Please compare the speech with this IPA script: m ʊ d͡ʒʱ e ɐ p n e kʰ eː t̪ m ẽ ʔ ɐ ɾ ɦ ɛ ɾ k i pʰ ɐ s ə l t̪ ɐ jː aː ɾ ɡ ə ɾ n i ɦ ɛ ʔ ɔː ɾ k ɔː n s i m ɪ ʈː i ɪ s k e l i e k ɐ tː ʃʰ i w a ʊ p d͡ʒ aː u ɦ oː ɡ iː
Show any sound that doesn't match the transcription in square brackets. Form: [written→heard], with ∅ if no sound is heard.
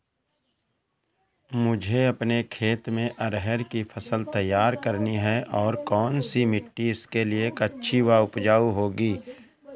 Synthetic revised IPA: m ʊ d͡ʒʱ e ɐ p n e kʰ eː t̪ m ẽ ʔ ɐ ɾ ɦ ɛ ɾ k i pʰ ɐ s ə l t̪ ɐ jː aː ɾ [ɡ→k] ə ɾ n i ɦ ɛ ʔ ɔː ɾ k ɔː n s i m ɪ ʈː i ɪ s k e l i e k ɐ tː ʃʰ i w a ʊ p d͡ʒ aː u ɦ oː ɡ iː

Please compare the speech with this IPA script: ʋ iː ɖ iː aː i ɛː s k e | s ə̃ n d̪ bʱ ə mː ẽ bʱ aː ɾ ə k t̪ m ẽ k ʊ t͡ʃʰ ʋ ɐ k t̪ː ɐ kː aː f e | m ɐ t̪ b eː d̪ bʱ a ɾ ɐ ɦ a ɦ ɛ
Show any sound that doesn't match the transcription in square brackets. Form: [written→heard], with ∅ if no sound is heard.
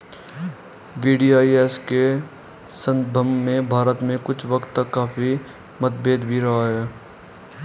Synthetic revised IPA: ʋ iː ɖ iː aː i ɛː s k e | s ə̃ n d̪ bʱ ə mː ẽ bʱ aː ɾ ə [k→∅] t̪ m ẽ k ʊ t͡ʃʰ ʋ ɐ k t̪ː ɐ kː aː f [e→i] | m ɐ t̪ b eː d̪ bʱ [a→i] ɾ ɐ ɦ a ɦ [ɛ→ɛː]

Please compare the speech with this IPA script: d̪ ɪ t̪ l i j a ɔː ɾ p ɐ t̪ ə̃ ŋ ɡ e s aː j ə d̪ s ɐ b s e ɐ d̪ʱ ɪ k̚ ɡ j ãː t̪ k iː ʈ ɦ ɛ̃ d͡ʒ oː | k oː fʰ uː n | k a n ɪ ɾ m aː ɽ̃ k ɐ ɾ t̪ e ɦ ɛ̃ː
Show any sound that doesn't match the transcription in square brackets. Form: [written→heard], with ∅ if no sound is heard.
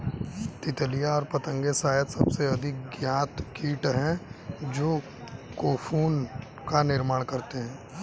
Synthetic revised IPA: [d̪→t̪] ɪ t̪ l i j a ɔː ɾ p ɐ t̪ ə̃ ŋ ɡ e s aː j ə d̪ s ɐ b s e ɐ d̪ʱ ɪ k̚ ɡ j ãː t̪ k iː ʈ ɦ ɛ̃ d͡ʒ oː | k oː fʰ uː n | k a n ɪ ɾ m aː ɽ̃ k ɐ ɾ t̪ e ɦ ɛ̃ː

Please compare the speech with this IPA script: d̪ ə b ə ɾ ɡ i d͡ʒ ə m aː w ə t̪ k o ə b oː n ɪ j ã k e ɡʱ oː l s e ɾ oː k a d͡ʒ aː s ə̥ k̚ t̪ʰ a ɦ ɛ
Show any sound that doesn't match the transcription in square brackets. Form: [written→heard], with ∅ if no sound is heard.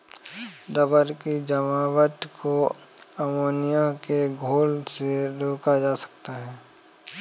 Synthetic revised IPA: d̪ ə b ə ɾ [ɡ→k] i d͡ʒ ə m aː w ə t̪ k o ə [b→m] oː n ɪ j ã k e ɡʱ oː l s e ɾ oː k a d͡ʒ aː s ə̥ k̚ [t̪ʰ→t̪] a ɦ [ɛ→ɛː]

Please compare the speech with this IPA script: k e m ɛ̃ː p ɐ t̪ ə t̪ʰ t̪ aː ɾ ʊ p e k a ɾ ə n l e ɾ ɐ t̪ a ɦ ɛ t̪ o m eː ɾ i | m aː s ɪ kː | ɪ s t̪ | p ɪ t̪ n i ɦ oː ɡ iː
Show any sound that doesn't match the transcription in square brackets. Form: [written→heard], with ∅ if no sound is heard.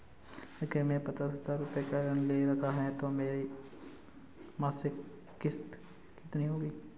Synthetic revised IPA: k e m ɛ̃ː p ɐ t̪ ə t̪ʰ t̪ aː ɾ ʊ p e k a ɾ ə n l e ɾ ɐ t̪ a ɦ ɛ t̪ o m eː ɾ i | m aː s ɪ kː | ɪ s t̪ | [p→k] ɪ t̪ n i ɦ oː ɡ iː

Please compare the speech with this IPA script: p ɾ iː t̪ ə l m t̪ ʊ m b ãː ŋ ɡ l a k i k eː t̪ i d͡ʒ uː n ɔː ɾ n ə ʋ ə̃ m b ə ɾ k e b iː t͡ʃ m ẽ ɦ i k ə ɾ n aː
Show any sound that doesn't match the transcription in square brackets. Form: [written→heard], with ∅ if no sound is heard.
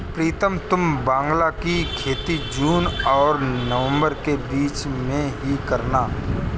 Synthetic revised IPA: p ɾ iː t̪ ə [l→∅] m t̪ ʊ m b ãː ŋ ɡ l a k i [k→kʰ] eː t̪ i d͡ʒ uː n ɔː ɾ n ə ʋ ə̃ m b ə ɾ k e b iː t͡ʃ m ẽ ɦ i k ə ɾ n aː

